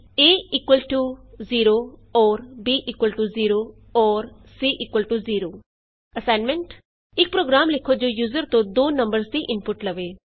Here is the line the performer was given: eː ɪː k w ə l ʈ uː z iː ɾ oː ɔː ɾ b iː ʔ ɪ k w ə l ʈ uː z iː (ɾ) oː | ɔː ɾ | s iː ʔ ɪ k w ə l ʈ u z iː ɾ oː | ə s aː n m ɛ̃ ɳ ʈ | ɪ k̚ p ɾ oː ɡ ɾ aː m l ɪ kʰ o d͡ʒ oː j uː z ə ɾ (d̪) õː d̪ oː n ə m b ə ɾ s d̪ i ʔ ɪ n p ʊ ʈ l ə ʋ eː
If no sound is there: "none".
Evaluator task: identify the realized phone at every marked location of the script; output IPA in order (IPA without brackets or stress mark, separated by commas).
ɾ, t̪